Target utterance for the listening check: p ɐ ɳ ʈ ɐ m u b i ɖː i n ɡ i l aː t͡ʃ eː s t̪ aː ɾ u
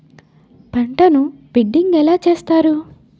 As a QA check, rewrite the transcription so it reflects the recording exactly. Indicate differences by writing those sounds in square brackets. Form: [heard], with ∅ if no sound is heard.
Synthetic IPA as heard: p ɐ ɳ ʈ ɐ [n] u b i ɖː i [ŋ] ɡ [ɛ] l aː t͡ʃ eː s t̪ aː ɾ u